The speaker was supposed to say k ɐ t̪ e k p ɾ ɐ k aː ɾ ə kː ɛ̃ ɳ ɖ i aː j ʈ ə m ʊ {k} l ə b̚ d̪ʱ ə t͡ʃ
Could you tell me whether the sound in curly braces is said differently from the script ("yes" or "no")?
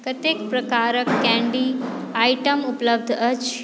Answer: yes